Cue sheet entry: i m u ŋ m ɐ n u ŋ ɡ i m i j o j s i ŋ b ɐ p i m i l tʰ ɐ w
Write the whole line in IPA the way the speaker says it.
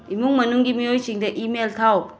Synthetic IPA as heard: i m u ŋ m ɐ n u ŋ ɡ i m i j o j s i ŋ d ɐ ʔ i m e l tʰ a w